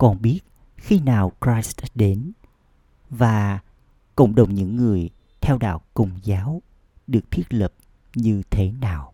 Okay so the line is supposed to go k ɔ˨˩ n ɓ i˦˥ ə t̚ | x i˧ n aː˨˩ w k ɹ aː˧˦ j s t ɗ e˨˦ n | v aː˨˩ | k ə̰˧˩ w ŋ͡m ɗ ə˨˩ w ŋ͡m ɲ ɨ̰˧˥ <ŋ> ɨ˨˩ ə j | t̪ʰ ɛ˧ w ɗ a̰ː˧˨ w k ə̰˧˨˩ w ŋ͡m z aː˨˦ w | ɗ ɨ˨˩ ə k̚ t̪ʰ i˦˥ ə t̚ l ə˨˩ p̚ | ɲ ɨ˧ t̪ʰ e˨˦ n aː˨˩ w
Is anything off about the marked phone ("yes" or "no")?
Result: yes